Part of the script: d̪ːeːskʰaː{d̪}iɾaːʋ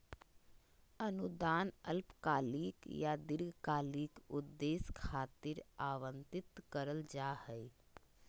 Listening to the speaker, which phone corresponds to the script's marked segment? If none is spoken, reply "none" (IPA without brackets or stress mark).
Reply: t̪